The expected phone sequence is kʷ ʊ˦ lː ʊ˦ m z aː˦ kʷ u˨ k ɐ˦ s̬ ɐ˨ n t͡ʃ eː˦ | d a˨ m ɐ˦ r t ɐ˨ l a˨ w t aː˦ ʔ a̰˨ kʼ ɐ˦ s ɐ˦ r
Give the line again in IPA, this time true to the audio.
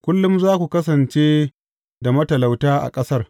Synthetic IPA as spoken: kʷ ʊ˦ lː ʊ˦ m z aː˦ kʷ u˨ k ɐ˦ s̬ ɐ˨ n t͡ʃ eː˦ | d a˨ m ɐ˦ t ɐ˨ l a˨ w t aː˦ ʔ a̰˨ kʼ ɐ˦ s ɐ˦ r